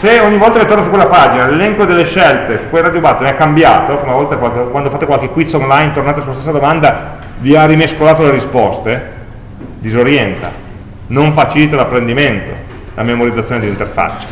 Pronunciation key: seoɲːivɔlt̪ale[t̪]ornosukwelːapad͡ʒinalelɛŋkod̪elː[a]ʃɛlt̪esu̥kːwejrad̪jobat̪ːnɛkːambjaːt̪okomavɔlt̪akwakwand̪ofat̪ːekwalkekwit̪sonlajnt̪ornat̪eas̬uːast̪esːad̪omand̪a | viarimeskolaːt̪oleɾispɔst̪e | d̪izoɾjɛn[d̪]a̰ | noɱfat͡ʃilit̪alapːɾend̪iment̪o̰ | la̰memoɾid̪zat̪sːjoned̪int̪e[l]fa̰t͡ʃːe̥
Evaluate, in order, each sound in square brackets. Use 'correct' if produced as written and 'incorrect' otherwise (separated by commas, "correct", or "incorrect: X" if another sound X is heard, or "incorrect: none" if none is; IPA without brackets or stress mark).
correct, incorrect: e, incorrect: t̪, incorrect: r